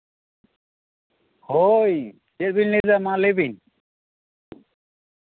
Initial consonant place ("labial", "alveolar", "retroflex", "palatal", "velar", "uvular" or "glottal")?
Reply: glottal